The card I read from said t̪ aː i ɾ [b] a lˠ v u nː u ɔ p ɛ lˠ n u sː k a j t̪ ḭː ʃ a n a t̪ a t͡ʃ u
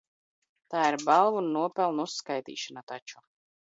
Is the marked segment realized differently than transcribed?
no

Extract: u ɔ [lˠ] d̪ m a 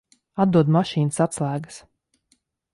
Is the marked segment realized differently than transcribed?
yes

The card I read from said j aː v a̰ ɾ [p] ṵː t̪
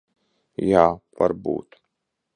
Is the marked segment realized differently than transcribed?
yes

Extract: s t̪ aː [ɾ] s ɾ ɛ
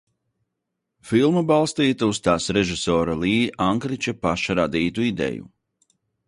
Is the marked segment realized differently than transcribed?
yes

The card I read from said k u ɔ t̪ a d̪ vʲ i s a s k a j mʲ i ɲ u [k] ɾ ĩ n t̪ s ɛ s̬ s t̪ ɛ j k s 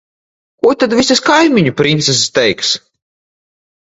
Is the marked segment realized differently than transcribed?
yes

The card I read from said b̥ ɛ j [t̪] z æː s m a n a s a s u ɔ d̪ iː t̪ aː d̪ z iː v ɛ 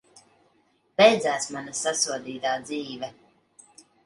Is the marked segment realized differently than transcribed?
yes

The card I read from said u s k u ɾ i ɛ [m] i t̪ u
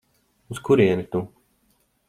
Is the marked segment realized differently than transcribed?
yes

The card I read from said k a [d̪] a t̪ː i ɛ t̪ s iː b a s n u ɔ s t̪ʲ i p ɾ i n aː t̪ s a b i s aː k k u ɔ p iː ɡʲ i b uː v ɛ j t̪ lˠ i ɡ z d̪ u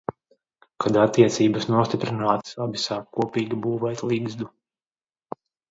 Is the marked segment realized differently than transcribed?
no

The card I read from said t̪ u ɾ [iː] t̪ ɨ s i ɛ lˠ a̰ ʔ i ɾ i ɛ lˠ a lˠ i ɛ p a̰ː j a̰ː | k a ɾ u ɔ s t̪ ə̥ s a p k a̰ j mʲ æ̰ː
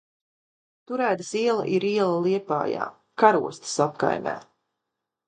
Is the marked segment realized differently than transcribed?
yes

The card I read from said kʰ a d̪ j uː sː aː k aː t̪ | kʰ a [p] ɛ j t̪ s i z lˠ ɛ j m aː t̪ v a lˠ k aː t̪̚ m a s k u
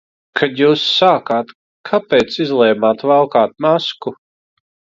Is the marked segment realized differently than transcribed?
no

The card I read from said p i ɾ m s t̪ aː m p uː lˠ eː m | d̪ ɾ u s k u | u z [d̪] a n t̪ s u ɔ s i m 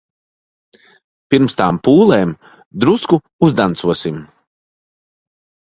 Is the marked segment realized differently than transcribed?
no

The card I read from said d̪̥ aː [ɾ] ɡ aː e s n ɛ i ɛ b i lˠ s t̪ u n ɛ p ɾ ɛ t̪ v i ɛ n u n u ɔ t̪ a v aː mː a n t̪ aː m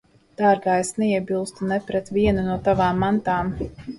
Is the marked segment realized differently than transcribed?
no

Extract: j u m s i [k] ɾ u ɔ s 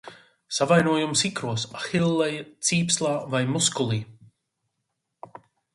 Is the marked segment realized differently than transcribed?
no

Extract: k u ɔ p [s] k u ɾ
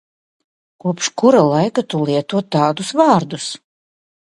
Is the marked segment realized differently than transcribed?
yes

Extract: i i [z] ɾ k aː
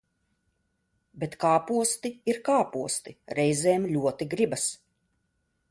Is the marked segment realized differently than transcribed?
yes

